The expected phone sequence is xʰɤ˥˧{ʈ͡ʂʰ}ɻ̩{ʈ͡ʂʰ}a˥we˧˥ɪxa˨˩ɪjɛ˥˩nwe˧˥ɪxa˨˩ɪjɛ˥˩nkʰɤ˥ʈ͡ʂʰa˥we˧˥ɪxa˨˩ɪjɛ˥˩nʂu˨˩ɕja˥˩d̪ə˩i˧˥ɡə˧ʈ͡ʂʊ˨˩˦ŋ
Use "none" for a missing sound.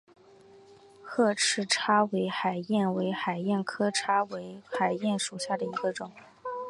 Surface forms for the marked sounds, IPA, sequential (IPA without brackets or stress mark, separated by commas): ʈ͡ʂʰ, ʈ͡ʂʰ